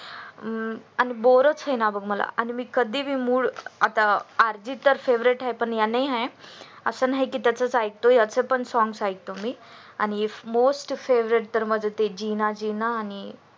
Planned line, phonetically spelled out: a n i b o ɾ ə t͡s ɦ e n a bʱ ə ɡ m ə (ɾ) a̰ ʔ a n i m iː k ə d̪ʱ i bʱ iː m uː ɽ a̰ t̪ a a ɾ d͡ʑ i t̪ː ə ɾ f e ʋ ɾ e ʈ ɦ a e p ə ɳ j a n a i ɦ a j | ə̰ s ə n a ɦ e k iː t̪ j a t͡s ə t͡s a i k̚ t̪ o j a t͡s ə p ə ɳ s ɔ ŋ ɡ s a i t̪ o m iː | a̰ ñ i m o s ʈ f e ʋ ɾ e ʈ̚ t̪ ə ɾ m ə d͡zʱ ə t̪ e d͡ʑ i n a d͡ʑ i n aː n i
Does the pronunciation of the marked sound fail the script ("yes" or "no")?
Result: yes